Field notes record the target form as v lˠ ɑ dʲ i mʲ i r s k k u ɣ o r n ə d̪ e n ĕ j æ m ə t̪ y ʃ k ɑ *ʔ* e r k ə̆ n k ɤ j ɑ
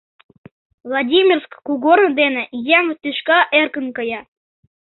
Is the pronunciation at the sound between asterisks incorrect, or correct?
correct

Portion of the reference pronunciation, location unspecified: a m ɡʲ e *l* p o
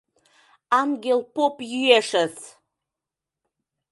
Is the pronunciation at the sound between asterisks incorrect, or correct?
correct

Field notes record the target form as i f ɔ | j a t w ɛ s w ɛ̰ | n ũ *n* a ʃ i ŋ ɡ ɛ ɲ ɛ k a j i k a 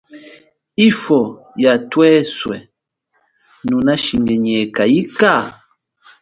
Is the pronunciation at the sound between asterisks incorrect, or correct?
correct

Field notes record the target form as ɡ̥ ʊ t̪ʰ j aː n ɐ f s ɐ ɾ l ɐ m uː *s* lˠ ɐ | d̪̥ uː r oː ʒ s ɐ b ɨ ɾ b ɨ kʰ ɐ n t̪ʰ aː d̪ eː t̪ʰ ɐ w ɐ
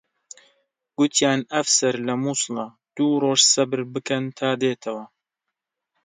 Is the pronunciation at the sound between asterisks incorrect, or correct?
correct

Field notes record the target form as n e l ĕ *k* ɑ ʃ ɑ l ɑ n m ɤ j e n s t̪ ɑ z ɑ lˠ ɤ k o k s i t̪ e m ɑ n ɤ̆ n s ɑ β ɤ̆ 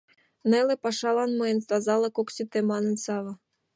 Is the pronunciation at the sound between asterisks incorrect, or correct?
incorrect: p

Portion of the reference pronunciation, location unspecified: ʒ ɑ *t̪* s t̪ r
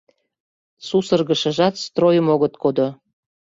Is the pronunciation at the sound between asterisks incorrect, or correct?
correct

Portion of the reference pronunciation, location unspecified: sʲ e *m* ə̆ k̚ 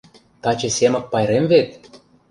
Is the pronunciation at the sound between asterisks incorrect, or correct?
correct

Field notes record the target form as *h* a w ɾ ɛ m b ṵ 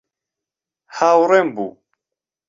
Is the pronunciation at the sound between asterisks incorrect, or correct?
correct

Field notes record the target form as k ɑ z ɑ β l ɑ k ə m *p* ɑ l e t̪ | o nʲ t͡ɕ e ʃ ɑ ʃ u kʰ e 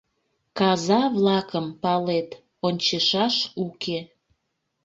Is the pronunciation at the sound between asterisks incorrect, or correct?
correct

